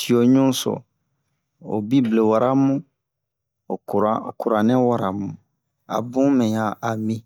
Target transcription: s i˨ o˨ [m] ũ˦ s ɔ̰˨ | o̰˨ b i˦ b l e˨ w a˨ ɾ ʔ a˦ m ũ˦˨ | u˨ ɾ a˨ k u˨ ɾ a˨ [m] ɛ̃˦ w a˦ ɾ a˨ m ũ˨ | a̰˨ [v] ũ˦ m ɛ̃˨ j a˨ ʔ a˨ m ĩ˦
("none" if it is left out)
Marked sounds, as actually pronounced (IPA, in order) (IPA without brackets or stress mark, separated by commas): ɲ, n, b